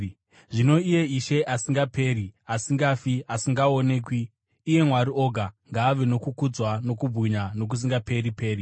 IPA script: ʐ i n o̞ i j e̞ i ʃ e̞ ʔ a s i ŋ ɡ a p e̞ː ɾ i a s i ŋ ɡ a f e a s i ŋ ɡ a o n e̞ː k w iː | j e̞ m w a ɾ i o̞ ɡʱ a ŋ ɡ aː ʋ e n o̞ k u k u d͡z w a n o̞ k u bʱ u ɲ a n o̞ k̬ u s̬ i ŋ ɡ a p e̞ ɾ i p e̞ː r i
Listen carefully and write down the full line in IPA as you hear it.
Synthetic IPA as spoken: ʐ i n o̞ i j e̞ i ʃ e̞ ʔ a s i ŋ ɡ a p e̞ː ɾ i a s i ŋ ɡ a f i a s i ŋ ɡ a o n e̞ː k w iː | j e̞ m w a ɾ i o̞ ɡʱ a ŋ ɡ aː ʋ e n o̞ k u k u d͡z w a n o̞ k u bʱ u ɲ a n o̞ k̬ u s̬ i ŋ ɡ a p e̞ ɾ i p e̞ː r i